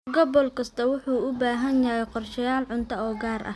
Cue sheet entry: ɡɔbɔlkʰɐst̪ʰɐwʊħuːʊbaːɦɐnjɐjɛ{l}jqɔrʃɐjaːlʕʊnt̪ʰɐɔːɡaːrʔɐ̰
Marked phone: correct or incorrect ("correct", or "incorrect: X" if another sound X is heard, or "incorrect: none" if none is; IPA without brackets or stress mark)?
incorrect: none